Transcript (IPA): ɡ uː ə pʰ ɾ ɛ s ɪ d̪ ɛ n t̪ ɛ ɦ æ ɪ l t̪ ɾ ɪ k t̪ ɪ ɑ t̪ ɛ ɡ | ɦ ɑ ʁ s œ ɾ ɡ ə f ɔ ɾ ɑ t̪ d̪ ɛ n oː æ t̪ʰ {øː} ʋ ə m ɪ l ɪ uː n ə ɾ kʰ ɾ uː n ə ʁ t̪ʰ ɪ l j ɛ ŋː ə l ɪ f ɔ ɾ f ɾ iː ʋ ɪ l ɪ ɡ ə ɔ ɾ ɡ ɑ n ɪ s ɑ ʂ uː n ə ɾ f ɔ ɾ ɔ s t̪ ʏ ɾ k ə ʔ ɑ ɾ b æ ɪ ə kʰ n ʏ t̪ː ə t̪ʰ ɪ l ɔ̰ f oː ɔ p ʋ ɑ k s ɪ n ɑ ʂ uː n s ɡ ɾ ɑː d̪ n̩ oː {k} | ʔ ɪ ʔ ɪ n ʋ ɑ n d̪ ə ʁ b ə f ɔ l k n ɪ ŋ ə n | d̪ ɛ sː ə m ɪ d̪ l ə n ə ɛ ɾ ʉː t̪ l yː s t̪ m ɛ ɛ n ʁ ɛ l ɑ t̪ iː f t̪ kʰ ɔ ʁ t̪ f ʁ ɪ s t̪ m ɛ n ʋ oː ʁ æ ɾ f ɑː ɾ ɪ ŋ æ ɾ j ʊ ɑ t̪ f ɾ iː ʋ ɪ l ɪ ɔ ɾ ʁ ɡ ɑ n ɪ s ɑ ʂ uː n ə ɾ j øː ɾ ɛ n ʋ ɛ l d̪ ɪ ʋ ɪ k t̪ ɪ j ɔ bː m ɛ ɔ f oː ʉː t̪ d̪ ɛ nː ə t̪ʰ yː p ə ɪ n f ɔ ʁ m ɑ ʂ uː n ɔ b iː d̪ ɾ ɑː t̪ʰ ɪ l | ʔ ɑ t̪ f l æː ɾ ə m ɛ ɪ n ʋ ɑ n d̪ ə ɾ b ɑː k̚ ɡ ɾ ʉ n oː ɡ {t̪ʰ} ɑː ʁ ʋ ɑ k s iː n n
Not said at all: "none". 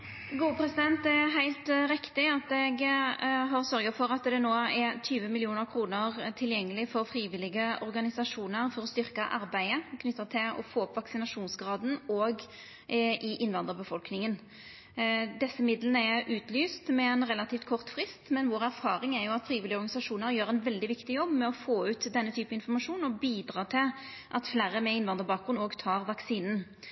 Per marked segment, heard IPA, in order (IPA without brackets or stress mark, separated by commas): yː, ɡ, t̪ʰ